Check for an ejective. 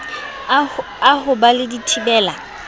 absent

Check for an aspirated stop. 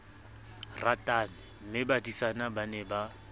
absent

